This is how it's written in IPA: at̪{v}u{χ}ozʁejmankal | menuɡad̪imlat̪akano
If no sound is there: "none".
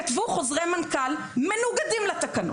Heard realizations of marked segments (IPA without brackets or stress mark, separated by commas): v, χ